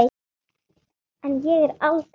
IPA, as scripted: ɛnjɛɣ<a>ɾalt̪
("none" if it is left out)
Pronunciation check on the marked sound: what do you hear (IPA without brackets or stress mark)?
ɛ